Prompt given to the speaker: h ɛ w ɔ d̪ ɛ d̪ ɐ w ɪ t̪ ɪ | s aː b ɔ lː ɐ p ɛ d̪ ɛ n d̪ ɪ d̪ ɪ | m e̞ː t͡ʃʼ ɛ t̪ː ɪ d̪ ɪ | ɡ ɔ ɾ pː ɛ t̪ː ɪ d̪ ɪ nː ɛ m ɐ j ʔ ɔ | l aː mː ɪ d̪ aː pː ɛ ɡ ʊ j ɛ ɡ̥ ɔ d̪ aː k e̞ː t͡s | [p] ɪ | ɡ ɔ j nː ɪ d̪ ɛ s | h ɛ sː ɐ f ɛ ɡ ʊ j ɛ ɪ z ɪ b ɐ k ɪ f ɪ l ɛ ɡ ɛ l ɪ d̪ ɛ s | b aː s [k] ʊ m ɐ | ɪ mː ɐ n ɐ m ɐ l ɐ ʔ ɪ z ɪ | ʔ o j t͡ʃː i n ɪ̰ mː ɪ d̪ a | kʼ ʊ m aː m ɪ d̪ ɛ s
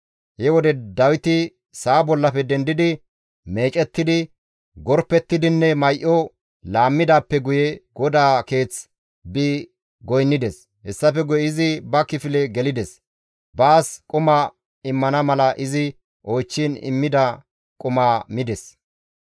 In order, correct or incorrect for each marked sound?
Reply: incorrect, incorrect

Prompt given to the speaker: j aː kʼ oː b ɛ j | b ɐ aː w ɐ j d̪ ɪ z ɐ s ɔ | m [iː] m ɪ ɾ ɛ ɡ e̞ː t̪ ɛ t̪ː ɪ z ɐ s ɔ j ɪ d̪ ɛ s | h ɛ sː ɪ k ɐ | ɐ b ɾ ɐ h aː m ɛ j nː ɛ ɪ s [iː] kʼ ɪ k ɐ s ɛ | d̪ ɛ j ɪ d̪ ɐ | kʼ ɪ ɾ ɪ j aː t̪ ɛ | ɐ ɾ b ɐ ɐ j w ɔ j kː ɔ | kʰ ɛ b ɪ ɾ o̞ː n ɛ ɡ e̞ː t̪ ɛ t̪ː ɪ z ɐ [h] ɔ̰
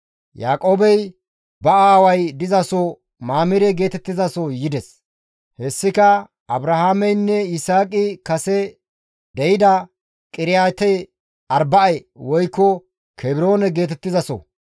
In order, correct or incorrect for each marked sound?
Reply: incorrect, incorrect, incorrect

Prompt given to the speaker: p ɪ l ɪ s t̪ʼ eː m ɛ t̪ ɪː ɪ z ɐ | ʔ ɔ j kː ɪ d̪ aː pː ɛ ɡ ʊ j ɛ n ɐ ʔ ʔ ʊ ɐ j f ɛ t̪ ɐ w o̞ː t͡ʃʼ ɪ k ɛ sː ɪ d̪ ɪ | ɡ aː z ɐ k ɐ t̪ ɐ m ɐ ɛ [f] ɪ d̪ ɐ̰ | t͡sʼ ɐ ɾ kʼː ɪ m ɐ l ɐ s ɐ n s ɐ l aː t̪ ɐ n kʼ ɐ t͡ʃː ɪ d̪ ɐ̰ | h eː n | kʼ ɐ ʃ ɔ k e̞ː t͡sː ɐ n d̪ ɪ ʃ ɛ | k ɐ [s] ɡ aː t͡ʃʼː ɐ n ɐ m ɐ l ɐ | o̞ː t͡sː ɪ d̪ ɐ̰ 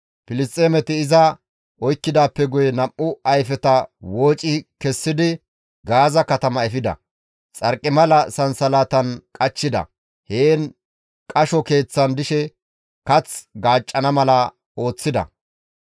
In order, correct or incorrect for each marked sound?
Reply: correct, incorrect

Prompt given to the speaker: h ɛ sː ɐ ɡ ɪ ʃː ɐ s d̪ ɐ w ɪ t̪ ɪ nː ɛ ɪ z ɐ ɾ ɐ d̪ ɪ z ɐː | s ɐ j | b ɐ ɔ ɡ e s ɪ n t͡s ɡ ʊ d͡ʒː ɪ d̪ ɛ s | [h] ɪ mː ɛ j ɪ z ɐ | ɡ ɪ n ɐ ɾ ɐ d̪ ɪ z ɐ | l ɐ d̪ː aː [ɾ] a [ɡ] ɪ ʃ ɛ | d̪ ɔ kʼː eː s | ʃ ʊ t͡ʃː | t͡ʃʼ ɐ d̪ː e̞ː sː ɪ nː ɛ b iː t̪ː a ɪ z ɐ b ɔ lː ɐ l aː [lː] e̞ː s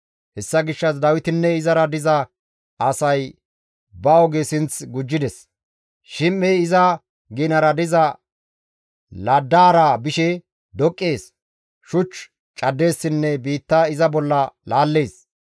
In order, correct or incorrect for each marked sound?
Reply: incorrect, correct, incorrect, correct

